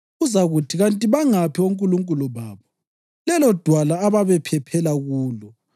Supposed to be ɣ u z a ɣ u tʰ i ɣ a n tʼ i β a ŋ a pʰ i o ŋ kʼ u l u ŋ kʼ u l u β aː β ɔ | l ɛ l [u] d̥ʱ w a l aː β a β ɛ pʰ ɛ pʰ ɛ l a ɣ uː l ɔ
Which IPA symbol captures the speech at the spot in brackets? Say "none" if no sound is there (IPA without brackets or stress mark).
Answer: ɔ